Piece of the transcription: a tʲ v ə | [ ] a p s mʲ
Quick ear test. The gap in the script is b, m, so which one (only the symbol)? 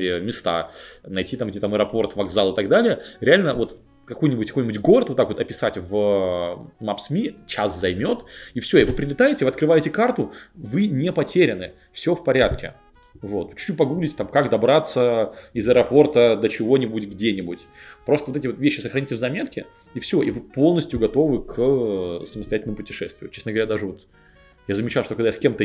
m